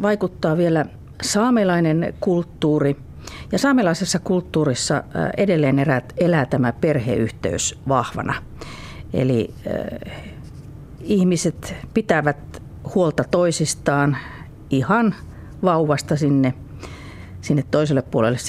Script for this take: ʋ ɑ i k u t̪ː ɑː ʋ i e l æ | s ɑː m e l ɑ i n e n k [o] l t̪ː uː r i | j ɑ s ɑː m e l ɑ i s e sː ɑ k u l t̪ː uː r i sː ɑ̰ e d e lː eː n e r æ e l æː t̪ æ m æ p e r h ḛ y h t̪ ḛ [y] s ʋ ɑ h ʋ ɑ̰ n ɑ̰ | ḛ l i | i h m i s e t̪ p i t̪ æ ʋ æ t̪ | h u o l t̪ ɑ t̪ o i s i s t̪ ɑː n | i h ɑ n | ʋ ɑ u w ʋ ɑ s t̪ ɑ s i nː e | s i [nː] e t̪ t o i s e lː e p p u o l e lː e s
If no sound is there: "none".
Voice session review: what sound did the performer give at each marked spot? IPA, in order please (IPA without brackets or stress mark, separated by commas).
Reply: u, y, nː